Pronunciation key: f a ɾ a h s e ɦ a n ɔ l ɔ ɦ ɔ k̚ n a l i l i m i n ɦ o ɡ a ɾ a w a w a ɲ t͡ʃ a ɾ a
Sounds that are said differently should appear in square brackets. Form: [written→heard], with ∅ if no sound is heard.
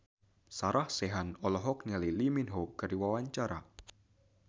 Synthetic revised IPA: [f→s] a ɾ a h s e ɦ a n ɔ l ɔ ɦ ɔ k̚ n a l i l i m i n ɦ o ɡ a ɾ [a→i] w a w a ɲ t͡ʃ a ɾ a